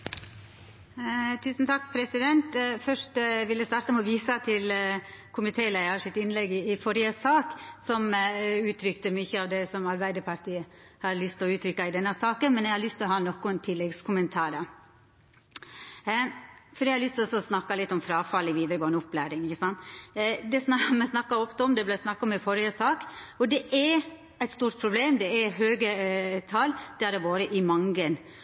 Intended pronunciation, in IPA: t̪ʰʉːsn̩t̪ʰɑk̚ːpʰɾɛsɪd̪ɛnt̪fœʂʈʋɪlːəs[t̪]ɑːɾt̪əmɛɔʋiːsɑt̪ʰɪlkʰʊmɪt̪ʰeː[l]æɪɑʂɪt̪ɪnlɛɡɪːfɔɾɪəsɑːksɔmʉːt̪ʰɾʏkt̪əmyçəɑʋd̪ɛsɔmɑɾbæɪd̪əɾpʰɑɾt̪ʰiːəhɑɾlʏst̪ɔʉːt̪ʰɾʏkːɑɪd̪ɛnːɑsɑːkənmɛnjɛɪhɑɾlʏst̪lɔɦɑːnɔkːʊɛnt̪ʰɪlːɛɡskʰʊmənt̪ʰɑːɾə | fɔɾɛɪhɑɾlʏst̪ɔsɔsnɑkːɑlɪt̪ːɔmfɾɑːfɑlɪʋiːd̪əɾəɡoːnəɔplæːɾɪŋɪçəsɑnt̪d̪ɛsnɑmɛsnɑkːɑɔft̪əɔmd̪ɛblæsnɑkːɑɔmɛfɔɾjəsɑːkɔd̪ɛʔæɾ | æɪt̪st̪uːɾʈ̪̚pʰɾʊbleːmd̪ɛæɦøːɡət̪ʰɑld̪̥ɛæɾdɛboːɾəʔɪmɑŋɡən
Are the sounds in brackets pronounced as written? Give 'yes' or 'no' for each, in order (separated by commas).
yes, yes